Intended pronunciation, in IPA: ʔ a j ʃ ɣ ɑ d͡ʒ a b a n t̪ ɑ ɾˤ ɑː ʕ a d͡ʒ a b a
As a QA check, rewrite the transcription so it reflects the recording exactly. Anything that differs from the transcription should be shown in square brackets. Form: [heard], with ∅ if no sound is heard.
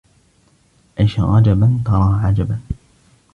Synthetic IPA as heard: ʔ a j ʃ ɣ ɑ d͡ʒ a b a n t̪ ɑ ɾˤ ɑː ʕ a d͡ʒ a b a